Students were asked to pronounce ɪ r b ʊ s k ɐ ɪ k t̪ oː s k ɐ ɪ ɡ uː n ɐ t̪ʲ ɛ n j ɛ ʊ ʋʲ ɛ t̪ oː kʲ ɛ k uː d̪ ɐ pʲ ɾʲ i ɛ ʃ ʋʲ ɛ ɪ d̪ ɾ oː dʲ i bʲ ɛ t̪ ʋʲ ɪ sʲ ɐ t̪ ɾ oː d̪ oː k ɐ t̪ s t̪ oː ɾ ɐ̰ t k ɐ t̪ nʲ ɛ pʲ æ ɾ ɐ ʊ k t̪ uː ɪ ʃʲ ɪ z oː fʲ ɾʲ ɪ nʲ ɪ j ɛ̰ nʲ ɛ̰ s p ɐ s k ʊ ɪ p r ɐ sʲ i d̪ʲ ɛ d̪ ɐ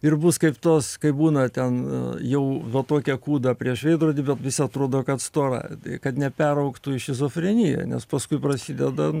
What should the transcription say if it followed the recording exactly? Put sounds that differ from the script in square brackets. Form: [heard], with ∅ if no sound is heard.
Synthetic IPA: ɪ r b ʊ s k ɐ ɪ [p] t̪ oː s k ɐ ɪ [b] uː n ɐ t̪ʲ ɛ n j ɛ ʊ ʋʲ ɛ t̪ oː kʲ ɛ k uː d̪ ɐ pʲ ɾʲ i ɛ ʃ ʋʲ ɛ ɪ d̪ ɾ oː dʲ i bʲ ɛ t̪ ʋʲ ɪ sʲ ɐ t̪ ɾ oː d̪ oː k ɐ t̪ s t̪ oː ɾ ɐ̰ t k ɐ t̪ nʲ ɛ pʲ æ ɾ ɐ ʊ k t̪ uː ɪ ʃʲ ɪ z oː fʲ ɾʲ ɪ nʲ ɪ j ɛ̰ nʲ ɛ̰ s p ɐ s k ʊ ɪ p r ɐ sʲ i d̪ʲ ɛ d̪ ɐ